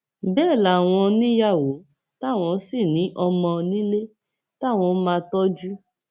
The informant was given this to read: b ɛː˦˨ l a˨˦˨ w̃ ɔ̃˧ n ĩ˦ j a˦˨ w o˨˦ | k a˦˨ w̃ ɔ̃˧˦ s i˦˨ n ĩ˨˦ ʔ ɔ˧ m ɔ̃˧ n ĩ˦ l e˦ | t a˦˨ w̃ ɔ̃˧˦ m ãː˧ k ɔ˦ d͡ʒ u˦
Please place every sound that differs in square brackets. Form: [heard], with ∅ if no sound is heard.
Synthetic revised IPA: b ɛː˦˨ l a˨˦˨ w̃ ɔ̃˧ n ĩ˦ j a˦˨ w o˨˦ | [t] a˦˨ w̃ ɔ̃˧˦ s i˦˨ n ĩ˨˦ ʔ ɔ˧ m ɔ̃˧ n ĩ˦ l e˦ | t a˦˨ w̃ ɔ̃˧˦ m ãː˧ [t] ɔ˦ d͡ʒ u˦

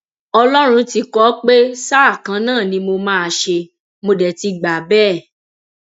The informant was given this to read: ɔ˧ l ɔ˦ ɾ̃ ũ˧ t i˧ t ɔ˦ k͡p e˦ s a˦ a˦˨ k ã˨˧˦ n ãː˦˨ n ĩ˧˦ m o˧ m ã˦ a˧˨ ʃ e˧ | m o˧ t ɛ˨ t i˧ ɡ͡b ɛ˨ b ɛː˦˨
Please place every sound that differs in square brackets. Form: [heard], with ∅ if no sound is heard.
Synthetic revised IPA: ɔ˧ l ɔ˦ ɾ̃ ũ˧ t i˧ [k] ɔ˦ k͡p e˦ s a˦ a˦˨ k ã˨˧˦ n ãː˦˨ n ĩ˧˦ m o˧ m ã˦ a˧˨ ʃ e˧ | m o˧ [d] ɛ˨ t i˧ ɡ͡b [a˨] b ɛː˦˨

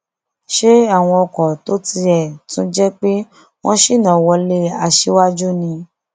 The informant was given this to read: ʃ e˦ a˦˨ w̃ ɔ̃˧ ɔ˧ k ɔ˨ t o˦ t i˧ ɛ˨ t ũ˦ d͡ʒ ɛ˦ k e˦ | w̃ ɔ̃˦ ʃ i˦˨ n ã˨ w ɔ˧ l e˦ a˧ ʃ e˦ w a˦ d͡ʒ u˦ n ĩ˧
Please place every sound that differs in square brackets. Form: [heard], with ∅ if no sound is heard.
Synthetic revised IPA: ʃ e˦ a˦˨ w̃ ɔ̃˧ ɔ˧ k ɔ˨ t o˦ t i˧ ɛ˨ t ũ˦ d͡ʒ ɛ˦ [k͡p] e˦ | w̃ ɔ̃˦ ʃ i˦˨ n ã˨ w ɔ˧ l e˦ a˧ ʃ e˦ w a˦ d͡ʒ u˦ n ĩ˧

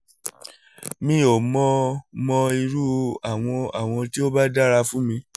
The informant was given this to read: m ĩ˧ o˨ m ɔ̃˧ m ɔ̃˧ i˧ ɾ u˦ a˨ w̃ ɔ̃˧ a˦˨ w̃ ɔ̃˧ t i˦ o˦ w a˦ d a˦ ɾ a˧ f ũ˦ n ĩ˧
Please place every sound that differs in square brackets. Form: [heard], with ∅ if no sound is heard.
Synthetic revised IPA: m ĩ˧ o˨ m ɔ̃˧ m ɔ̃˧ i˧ ɾ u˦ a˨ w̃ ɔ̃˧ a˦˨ w̃ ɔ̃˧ t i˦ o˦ [b] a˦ d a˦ ɾ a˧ f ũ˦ [m] ĩ˧

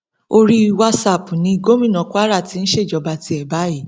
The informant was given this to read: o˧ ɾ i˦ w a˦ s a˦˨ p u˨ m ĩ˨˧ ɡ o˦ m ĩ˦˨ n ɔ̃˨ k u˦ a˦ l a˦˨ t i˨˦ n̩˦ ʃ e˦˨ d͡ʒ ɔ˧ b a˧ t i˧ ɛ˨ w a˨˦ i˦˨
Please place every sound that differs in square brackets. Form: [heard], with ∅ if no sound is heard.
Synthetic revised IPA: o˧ ɾ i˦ w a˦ s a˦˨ p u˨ [n] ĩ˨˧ ɡ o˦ m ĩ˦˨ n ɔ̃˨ k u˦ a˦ [ɾ] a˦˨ t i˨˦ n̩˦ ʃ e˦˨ d͡ʒ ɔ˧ b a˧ t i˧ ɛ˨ [b] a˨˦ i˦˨

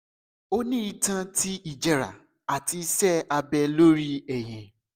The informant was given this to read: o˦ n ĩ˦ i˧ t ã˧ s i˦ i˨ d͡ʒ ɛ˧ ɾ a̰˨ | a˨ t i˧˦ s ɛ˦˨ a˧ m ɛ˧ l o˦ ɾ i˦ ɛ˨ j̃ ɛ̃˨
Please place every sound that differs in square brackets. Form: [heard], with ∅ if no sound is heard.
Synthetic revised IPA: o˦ n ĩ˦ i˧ t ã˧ [t] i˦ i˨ d͡ʒ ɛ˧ ɾ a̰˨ | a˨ t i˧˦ s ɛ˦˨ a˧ [b] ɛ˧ l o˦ ɾ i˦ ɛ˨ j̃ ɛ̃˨

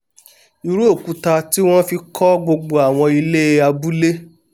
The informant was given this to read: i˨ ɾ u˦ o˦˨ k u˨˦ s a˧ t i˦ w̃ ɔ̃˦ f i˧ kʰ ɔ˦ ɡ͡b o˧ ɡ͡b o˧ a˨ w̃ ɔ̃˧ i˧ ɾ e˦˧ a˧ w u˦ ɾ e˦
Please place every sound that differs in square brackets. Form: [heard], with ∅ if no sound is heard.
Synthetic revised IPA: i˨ ɾ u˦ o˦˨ k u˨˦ [t] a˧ t i˦ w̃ ɔ̃˦ f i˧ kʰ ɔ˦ ɡ͡b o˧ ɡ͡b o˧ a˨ w̃ ɔ̃˧ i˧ [l] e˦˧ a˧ [b] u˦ [l] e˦

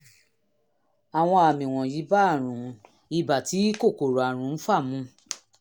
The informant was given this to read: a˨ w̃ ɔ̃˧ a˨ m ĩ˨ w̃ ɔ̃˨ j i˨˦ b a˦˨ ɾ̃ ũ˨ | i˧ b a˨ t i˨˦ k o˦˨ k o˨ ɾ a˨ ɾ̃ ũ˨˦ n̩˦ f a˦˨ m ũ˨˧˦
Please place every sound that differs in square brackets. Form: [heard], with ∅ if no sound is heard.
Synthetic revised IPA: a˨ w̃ ɔ̃˧ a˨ m ĩ˨ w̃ ɔ̃˨ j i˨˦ b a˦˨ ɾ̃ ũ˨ | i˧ b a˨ t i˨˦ k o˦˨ k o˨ ɾ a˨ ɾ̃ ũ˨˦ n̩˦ f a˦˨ m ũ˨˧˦

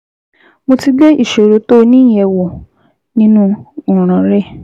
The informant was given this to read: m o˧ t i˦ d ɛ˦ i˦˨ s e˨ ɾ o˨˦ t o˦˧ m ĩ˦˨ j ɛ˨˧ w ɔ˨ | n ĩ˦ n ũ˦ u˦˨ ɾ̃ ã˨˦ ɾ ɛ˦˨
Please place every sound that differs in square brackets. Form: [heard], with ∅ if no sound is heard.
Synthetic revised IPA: m o˧ t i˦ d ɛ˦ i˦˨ [ʃ] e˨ ɾ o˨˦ t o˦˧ [n] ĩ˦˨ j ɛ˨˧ w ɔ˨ | n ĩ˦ n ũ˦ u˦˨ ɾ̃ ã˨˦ ɾ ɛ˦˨

